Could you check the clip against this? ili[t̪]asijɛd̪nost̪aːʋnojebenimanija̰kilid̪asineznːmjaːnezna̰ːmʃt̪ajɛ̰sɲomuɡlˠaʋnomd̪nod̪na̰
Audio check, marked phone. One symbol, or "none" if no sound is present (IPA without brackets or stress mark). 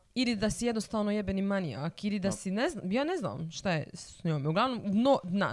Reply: d̪